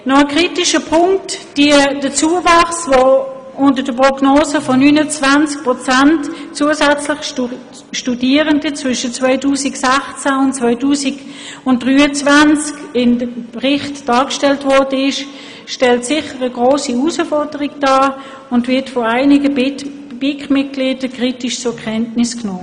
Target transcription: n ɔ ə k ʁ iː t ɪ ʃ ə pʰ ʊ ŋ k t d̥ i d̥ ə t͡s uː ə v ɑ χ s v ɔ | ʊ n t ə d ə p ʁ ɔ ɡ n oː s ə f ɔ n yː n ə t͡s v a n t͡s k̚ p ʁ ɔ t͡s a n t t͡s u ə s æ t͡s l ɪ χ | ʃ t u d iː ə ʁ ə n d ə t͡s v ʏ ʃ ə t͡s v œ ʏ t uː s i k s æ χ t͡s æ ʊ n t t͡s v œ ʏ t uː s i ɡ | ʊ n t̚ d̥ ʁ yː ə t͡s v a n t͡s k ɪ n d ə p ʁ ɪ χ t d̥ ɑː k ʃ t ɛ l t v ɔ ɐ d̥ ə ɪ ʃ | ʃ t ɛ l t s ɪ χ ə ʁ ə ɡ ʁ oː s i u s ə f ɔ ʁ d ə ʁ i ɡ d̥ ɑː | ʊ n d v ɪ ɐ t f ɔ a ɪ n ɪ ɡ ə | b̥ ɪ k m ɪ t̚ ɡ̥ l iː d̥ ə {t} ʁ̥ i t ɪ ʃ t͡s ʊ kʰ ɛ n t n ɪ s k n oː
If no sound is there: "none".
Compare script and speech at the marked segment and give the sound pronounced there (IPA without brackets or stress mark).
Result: k